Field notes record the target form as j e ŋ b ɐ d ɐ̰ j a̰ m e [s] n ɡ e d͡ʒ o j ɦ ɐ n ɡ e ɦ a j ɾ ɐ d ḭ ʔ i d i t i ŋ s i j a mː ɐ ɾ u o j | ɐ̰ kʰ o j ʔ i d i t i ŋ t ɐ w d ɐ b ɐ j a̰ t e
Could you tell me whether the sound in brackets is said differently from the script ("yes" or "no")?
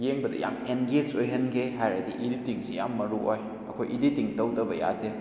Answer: yes